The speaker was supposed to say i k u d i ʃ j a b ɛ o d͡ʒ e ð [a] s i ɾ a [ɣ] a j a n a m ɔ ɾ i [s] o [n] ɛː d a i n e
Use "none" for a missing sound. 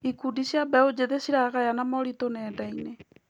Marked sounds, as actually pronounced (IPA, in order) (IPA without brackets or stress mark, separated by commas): e, ɣ, t, n